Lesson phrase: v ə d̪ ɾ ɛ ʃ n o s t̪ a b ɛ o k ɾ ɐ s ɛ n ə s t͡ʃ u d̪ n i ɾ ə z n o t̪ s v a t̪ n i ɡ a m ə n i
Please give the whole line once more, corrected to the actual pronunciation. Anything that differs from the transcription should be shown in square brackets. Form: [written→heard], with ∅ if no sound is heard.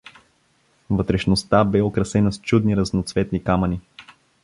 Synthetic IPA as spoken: v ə [d̪→t̪] ɾ ɛ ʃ n o s t̪ a b ɛ o k ɾ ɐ s ɛ n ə s t͡ʃ u d̪ n i ɾ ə z n o t̪ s v [a→ɛ] t̪ n i [ɡ→k] a m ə n i